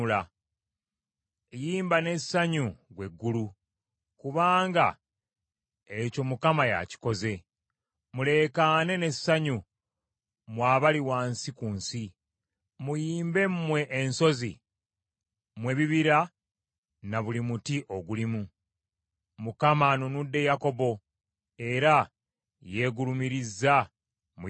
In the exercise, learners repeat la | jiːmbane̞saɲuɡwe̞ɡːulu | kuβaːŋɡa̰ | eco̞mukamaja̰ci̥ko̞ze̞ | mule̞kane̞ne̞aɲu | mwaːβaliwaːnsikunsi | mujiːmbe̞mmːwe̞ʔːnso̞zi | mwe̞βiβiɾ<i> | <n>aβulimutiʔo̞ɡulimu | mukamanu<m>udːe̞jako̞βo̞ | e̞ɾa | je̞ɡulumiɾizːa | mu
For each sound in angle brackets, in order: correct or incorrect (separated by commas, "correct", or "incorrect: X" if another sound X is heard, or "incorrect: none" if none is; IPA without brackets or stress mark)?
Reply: incorrect: a, correct, incorrect: n